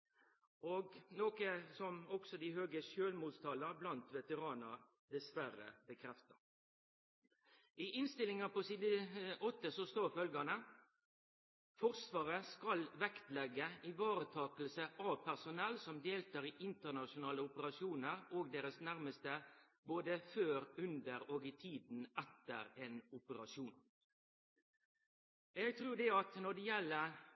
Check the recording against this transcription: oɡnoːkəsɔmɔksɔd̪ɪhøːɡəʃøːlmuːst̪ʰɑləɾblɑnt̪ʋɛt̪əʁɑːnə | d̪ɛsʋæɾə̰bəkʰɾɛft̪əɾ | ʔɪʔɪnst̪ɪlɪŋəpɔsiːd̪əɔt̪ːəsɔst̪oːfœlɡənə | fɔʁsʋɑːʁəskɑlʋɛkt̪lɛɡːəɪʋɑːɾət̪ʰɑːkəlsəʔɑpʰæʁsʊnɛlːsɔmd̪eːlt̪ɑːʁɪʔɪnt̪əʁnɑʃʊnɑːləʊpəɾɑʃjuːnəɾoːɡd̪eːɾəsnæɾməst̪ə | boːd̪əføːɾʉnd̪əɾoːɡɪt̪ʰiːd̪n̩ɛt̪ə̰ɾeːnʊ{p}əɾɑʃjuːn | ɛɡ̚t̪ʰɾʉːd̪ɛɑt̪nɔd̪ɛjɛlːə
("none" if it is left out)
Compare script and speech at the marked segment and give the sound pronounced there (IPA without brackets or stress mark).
p